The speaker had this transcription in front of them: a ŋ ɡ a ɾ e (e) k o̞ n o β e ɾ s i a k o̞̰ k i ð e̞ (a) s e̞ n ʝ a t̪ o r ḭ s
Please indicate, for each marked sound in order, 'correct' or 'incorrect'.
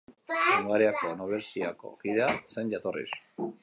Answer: incorrect, correct

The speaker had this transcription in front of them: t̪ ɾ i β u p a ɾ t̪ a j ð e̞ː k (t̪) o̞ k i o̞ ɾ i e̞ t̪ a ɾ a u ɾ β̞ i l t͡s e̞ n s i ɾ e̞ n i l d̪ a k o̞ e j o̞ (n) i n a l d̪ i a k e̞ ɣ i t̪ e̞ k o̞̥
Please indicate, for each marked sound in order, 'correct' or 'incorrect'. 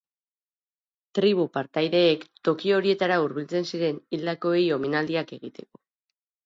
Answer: correct, incorrect

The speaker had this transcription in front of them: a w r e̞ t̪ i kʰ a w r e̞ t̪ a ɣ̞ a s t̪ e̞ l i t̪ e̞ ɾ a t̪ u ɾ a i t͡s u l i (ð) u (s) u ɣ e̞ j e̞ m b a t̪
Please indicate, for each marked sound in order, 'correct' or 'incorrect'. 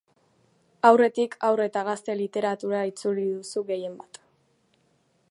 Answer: correct, correct

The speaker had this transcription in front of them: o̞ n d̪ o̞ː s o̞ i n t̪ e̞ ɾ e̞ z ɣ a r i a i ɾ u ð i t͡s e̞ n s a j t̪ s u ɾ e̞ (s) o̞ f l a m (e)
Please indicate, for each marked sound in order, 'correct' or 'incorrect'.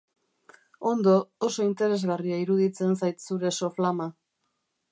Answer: correct, incorrect

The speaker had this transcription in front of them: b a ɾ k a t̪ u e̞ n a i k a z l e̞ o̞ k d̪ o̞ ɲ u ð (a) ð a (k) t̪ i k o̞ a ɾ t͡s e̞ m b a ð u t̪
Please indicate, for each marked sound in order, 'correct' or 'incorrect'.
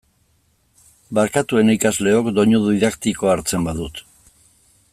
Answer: incorrect, correct

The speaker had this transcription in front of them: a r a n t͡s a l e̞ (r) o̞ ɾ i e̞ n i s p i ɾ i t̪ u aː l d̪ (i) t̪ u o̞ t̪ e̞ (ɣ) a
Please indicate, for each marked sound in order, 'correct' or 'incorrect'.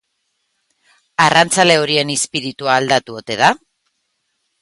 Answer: incorrect, incorrect, incorrect

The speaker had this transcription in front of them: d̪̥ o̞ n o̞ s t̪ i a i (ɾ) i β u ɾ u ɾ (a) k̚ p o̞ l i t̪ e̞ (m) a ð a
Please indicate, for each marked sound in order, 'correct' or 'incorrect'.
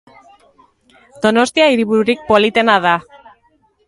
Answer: correct, incorrect, incorrect

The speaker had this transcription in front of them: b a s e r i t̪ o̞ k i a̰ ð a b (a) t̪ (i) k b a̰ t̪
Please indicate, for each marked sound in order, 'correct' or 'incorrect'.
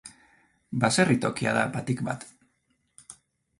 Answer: correct, correct

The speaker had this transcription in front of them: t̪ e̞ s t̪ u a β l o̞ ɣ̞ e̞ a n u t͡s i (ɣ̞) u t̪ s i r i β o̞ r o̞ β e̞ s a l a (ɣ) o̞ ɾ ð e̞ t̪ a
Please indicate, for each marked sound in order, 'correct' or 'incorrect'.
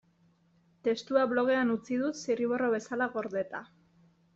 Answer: incorrect, correct

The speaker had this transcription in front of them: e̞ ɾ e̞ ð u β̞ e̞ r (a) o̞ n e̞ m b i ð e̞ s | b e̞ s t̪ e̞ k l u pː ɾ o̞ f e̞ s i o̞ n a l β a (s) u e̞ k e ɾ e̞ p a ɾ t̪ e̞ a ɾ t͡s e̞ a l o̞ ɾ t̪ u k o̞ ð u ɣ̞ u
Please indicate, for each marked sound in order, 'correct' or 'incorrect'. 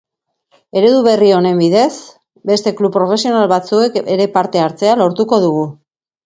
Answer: incorrect, incorrect

